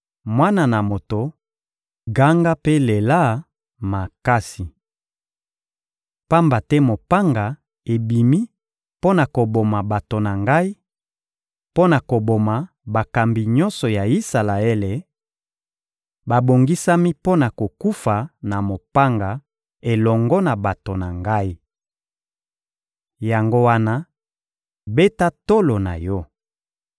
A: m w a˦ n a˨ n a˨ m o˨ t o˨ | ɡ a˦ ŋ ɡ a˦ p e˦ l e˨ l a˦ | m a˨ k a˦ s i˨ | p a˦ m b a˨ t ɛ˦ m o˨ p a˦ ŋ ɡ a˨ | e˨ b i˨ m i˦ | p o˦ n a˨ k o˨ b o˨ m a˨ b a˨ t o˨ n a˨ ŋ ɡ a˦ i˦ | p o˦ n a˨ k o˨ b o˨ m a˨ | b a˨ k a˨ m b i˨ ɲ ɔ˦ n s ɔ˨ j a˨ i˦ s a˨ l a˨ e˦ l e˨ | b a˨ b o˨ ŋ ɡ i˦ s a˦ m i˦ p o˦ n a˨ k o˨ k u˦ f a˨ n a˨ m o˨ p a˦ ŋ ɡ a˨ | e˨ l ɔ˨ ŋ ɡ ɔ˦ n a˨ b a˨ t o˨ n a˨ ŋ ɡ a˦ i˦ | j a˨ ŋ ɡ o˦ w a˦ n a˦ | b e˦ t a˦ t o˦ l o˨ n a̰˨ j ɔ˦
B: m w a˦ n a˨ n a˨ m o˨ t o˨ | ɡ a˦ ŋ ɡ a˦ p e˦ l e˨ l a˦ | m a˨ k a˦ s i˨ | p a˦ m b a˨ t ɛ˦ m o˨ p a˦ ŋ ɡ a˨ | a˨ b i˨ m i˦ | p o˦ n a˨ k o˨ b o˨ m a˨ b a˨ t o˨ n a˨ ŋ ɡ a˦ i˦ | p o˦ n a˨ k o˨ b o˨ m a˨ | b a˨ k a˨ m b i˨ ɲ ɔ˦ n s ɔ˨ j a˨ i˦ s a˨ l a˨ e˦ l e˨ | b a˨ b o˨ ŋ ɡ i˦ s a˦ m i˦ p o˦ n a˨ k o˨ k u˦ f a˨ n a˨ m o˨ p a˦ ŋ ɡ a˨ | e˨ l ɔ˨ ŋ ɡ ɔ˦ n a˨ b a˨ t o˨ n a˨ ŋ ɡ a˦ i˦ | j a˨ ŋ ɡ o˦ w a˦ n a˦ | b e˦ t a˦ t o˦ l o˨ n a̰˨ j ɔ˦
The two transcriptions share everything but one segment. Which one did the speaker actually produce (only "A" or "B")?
A